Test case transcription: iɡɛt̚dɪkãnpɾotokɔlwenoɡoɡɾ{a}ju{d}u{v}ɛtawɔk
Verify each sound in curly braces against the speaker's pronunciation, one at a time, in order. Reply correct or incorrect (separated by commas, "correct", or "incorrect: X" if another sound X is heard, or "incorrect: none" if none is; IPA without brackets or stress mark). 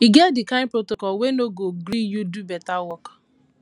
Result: incorrect: i, correct, incorrect: b